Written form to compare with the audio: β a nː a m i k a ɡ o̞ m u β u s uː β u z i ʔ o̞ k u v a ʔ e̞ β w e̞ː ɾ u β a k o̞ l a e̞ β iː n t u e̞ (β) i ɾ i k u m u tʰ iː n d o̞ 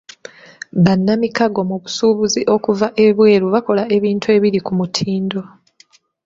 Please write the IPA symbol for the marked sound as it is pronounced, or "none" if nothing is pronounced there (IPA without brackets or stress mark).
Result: β